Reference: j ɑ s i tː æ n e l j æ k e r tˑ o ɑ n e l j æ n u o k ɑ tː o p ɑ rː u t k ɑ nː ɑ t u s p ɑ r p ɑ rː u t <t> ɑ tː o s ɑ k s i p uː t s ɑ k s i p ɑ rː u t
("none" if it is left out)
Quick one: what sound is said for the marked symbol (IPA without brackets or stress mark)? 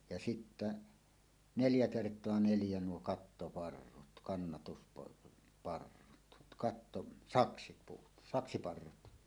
k